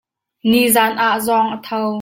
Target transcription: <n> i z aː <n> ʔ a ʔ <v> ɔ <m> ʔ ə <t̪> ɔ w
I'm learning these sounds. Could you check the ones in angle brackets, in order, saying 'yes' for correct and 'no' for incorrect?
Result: yes, yes, no, no, no

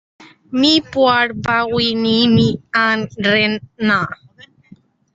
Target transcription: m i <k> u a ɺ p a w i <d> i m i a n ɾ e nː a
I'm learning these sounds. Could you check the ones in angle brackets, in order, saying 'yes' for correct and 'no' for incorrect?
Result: no, no

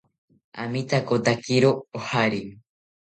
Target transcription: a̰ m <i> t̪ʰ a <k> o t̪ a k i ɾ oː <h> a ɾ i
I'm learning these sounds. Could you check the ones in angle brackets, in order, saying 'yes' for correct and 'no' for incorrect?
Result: yes, yes, yes

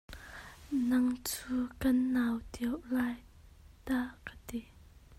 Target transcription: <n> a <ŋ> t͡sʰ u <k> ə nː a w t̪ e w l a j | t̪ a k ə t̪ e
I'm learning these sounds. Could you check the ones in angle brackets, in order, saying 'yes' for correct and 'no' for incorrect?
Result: yes, yes, yes

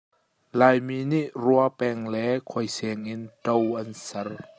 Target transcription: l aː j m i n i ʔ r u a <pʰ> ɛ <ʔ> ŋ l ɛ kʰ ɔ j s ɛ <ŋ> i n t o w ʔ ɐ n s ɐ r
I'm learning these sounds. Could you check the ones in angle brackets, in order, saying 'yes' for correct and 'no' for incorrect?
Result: no, no, yes

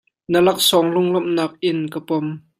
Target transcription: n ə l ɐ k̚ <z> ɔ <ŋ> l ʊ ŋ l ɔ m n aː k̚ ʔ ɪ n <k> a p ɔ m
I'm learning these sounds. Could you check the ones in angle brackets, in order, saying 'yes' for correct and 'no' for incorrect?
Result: no, yes, yes

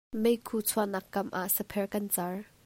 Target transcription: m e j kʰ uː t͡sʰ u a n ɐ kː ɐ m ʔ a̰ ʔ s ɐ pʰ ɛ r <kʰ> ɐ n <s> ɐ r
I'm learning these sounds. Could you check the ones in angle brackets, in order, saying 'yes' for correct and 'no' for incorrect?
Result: no, no

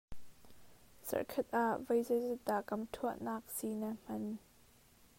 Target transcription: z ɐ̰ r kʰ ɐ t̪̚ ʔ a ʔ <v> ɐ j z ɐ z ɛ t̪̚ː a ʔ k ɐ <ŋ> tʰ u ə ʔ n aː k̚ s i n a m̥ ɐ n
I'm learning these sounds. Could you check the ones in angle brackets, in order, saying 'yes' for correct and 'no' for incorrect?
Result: yes, no

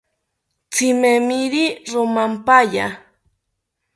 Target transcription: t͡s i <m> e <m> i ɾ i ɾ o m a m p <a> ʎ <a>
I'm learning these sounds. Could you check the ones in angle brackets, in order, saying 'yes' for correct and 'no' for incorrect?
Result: yes, yes, yes, yes

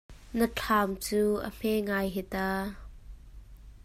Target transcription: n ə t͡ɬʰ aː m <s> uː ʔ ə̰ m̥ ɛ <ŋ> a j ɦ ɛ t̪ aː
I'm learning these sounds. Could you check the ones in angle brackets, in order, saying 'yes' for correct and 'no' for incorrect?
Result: no, yes

